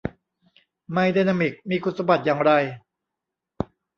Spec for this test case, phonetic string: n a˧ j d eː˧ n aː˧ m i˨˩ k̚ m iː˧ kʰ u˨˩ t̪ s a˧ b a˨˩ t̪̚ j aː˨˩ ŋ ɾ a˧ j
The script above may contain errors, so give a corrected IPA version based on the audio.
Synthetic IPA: m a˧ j d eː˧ n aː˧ m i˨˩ k̚ m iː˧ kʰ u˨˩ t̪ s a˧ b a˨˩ t̪̚ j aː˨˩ ŋ ɾ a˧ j